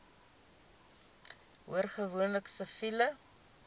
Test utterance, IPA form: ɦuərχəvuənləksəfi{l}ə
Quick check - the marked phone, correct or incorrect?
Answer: correct